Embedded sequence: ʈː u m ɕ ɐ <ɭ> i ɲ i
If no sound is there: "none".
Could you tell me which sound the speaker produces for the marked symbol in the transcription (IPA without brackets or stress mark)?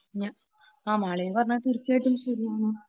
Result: ɾ